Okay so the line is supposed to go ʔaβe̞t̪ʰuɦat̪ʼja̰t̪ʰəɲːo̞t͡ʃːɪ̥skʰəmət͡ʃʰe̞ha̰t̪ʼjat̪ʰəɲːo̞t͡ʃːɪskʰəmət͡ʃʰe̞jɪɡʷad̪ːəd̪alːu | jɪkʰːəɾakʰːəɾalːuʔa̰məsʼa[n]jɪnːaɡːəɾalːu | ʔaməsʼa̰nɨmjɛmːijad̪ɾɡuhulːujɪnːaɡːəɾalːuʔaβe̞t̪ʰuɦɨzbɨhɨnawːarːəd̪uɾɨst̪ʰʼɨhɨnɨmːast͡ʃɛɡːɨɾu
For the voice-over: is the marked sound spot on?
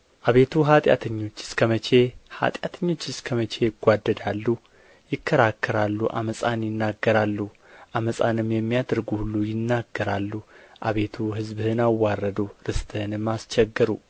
yes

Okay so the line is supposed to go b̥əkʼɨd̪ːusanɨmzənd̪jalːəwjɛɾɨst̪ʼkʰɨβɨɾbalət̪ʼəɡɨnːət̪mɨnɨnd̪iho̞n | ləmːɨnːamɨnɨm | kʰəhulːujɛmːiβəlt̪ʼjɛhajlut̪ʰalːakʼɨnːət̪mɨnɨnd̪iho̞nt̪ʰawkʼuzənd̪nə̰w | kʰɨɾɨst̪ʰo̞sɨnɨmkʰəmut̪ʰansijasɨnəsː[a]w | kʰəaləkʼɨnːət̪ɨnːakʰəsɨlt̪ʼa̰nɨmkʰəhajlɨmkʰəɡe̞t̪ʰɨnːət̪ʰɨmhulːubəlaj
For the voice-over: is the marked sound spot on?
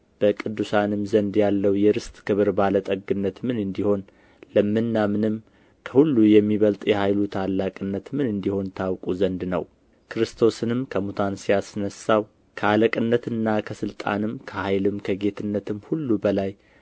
yes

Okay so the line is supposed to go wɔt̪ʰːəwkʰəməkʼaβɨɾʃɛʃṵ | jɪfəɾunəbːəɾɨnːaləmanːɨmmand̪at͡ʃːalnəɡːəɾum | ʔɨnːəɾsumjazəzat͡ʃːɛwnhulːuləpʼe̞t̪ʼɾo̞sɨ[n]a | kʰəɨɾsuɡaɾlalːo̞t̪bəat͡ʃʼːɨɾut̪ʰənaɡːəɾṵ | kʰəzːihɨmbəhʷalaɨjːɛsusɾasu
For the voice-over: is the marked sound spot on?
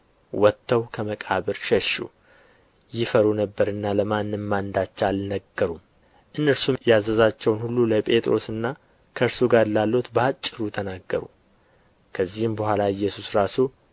no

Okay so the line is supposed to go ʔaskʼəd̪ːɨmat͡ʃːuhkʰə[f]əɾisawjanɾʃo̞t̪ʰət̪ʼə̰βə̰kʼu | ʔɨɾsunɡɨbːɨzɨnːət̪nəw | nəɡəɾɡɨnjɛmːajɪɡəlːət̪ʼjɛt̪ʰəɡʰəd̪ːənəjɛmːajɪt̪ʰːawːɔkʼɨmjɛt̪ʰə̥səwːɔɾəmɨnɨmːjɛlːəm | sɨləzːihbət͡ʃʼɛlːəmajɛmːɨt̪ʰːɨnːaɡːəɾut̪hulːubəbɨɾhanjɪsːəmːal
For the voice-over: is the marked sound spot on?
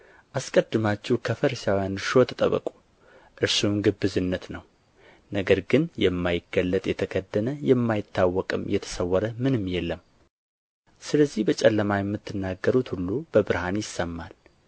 yes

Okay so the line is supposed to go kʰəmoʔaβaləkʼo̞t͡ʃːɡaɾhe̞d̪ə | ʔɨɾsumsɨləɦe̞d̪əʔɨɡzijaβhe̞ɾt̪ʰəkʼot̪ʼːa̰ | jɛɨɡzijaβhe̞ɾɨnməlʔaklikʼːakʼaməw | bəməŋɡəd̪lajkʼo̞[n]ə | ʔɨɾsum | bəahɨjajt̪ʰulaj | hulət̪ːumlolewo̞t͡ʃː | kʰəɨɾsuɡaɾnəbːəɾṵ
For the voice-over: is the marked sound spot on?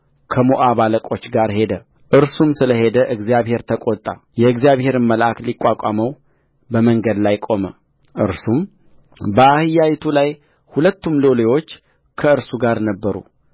no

